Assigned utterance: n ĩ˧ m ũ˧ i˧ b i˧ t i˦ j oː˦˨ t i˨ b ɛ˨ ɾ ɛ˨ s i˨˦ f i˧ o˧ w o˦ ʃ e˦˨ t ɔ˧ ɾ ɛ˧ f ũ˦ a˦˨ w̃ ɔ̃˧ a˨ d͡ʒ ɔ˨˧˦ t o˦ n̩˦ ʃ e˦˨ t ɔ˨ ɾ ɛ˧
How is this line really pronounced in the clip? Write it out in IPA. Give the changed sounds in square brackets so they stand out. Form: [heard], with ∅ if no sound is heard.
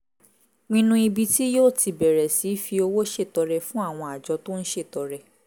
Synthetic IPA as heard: n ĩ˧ [n] ũ˧ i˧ b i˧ t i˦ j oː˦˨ t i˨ b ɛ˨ ɾ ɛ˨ s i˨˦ f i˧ o˧ w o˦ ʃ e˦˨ t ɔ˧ ɾ ɛ˧ f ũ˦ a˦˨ w̃ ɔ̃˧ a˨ d͡ʒ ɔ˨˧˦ t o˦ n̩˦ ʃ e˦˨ t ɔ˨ ɾ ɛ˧